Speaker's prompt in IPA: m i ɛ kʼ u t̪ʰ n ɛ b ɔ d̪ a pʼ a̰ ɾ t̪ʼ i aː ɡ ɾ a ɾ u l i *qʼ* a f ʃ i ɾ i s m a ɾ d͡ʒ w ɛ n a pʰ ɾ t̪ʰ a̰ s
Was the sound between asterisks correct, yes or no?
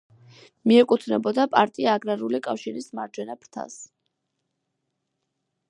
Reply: no